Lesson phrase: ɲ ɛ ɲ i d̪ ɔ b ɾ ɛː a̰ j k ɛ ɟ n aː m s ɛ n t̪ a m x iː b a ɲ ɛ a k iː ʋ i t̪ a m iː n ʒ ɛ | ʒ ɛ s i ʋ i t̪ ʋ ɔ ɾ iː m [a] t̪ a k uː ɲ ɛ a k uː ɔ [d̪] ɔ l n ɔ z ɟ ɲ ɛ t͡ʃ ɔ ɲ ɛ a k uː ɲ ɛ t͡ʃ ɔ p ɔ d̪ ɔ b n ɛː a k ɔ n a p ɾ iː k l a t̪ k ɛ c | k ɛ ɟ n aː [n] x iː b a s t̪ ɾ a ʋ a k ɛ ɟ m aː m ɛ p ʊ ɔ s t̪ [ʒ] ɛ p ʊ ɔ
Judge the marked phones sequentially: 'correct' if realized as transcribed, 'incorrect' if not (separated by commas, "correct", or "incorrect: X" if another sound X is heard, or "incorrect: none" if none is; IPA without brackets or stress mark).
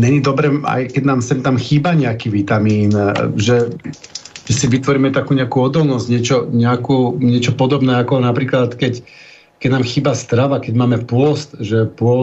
incorrect: ɛ, correct, incorrect: m, correct